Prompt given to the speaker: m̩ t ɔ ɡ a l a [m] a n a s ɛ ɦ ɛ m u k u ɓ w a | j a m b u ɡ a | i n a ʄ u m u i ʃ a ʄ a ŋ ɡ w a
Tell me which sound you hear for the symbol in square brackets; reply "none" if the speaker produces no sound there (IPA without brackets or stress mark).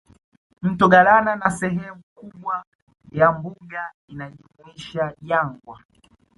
n